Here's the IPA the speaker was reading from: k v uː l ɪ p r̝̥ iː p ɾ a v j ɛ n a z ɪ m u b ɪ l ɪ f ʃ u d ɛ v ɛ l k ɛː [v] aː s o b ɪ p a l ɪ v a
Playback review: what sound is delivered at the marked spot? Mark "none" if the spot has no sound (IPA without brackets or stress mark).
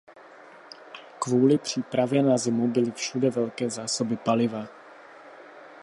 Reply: z